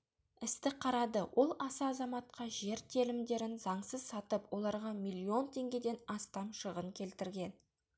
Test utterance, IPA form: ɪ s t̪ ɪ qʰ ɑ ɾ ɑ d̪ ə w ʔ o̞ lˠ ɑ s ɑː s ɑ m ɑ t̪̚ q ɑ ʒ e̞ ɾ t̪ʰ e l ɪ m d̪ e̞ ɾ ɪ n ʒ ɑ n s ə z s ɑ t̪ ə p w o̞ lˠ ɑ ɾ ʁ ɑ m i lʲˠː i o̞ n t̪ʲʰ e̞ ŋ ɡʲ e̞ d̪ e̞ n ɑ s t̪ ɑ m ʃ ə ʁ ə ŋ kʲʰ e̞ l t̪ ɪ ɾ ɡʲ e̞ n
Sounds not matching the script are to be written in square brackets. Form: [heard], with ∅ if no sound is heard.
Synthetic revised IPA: ɪ s t̪ ɪ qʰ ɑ ɾ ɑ d̪ ə w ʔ o̞ lˠ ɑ s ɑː [z] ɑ m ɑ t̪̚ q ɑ ʒ e̞ ɾ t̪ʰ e l ɪ m d̪ e̞ ɾ ɪ n [z] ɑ [ɴ] s ə z s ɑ t̪ ə p w o̞ lˠ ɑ ɾ ʁ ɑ m i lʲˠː i o̞ n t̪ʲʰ e̞ ŋ ɡʲ e̞ d̪ e̞ n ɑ s t̪ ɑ m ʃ ə ʁ ə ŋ kʲʰ e̞ l t̪ ɪ ɾ ɡʲ e̞ n

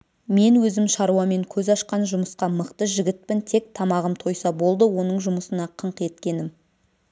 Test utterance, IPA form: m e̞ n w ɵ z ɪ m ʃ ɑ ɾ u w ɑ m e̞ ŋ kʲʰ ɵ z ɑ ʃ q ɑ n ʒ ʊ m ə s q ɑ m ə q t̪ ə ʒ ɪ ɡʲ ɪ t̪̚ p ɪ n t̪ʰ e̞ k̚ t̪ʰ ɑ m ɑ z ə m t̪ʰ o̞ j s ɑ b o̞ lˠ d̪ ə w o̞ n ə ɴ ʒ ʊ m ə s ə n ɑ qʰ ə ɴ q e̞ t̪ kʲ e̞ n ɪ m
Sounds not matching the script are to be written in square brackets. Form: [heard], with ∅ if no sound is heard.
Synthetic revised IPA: m e̞ n w ɵ z ɪ m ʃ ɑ ɾ u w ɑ m e̞ ŋ kʲʰ ɵ z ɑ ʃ q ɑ n ʒ ʊ m ə s q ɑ m ə q t̪ ə ʒ ɪ ɡʲ ɪ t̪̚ p ɪ n t̪ʰ e̞ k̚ t̪ʰ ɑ m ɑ [ʁ] ə m t̪ʰ o̞ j s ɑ b o̞ lˠ d̪ ə w o̞ n ə ɴ ʒ ʊ m ə s ə n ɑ qʰ ə ɴ q e̞ t̪ kʲ e̞ n ɪ m

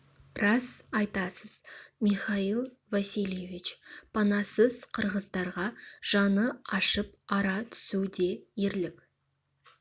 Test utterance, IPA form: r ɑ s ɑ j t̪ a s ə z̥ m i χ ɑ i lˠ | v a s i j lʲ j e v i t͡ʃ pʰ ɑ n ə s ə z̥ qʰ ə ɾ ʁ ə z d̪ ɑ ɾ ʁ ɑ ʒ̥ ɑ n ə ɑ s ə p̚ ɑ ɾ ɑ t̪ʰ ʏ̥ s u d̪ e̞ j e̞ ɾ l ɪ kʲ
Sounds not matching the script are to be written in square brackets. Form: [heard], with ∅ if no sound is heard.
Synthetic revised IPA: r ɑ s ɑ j t̪ [ɑ] s ə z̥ m i χ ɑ i lˠ | v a s i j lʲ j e v i t͡ʃ pʰ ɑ n [ɑ] s ə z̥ qʰ ə ɾ ʁ ə z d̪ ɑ ɾ ʁ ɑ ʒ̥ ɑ n ə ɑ [ʃ] ə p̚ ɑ ɾ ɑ t̪ʰ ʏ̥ s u d̪ e̞ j e̞ ɾ l ɪ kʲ

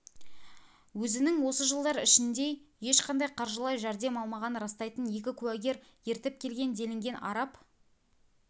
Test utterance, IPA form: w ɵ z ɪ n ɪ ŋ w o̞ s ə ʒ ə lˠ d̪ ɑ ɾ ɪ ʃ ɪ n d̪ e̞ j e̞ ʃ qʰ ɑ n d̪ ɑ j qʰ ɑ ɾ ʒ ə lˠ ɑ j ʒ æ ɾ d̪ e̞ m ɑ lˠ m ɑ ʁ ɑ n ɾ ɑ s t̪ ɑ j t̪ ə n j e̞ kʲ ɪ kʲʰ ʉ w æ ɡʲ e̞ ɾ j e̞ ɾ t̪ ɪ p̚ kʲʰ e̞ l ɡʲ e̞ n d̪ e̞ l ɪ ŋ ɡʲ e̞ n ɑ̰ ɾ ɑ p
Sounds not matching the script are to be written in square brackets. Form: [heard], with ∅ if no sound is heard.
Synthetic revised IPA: w ɵ z ɪ n ɪ ŋ w o̞ s ə ʒ ə lˠ d̪ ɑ ɾ ɪ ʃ ɪ n d̪ e̞ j e̞ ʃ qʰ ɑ n d̪ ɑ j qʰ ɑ ɾ ʒ ə lˠ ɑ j ʒ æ ɾ d̪ e̞ m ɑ lˠ m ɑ ʁ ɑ n ɾ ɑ s t̪ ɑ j t̪ ə n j e̞ kʲ ɪ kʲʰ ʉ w æ ɡʲ e̞ ɾ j e̞ ɾ t̪ ɪ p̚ kʲʰ e̞ l ɡʲ e̞ n d̪ e̞ l ɪ ŋ ɡʲ e̞ n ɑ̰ ɾ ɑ p

